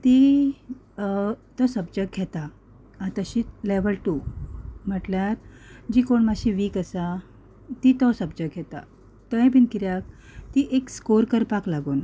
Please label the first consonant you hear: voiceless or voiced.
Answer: voiceless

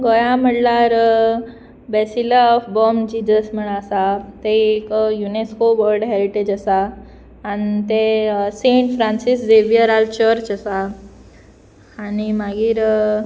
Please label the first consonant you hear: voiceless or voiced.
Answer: voiced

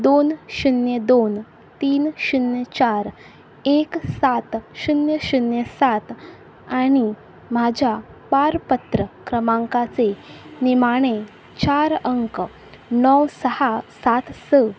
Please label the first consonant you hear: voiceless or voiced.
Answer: voiced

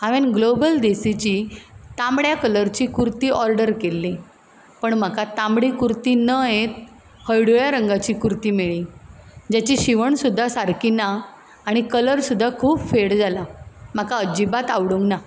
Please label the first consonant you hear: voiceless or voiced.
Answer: voiced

